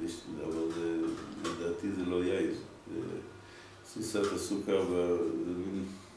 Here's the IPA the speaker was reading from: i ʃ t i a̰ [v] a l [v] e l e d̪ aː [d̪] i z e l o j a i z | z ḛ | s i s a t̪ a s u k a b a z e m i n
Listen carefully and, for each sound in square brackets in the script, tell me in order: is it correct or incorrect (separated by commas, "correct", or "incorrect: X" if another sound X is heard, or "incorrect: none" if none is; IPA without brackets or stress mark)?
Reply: correct, incorrect: z, incorrect: t̪